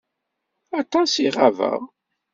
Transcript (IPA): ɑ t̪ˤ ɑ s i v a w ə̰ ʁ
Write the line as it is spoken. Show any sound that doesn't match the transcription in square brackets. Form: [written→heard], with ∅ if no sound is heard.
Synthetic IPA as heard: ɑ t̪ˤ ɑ s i [v→ʁ] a [w→v] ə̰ ʁ